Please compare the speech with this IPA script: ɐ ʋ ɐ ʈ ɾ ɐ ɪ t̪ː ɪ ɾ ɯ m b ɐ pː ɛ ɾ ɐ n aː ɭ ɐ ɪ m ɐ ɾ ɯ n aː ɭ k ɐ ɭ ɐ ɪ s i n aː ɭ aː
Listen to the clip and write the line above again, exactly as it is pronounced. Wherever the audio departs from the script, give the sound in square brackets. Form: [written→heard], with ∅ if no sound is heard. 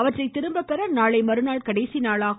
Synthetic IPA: ɐ ʋ ɐ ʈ [ɾ→r] ɐ ɪ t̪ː ɪ ɾ ɯ m b ɐ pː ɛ ɾ ɐ n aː ɭ ɐ ɪ m ɐ ɾ ɯ n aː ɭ k ɐ [ɭ→ɽ] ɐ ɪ s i n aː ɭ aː